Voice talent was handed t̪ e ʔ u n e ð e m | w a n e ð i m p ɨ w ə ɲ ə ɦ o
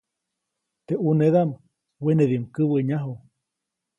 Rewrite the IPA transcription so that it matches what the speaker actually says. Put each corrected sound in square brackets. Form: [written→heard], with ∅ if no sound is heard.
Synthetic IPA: t̪ e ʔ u n e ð [e→a] m | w [a→e] n e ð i m [p→k] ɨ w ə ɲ [ə→a] ɦ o